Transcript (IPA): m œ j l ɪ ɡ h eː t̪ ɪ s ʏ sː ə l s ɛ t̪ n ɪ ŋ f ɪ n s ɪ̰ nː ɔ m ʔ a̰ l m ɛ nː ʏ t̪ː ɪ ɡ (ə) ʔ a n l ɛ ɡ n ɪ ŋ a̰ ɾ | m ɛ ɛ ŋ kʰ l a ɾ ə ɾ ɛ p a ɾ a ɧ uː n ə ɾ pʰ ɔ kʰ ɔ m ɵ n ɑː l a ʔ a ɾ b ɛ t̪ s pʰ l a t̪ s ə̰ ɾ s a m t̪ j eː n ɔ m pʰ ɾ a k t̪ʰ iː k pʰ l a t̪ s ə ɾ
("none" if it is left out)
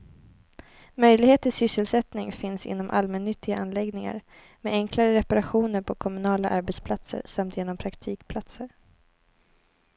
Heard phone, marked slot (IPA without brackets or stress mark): a